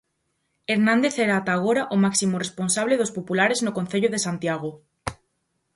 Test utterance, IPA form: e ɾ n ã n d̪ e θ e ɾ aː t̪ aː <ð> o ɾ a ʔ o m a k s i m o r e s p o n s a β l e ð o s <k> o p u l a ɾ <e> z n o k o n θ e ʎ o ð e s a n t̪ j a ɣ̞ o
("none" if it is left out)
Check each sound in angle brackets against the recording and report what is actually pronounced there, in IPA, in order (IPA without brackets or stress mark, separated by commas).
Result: ɣ, p, e